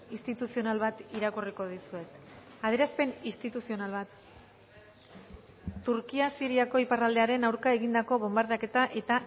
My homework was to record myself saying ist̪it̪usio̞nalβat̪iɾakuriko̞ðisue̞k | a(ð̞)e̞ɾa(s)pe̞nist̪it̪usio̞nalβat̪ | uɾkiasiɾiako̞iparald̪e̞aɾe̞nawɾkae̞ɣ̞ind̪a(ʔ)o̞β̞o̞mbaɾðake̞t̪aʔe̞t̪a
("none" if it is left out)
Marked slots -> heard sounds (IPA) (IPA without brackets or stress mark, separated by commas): ð̞, s, k